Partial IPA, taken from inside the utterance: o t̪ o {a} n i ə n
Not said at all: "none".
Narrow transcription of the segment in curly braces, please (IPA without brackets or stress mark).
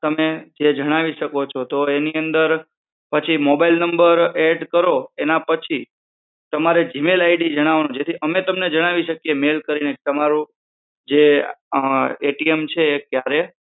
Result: e